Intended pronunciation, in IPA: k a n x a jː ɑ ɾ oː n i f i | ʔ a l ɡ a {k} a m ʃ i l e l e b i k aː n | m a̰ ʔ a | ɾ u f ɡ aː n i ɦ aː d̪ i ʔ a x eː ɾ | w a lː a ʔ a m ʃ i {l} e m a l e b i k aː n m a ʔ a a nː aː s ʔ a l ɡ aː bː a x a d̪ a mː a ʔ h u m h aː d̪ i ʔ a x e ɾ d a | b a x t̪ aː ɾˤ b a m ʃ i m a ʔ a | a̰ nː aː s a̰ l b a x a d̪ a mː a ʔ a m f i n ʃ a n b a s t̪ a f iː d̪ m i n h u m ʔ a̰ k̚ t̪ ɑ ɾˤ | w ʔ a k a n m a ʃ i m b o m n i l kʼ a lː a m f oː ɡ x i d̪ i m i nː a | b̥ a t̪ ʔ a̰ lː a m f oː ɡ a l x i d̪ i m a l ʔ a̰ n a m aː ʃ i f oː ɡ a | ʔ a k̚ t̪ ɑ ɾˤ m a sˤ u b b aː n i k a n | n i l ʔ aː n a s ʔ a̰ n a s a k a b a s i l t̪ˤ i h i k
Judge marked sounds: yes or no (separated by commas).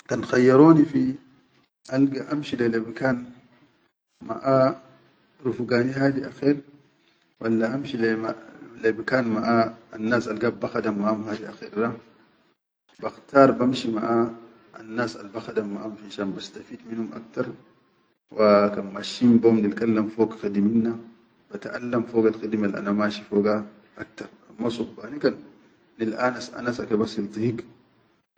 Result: no, yes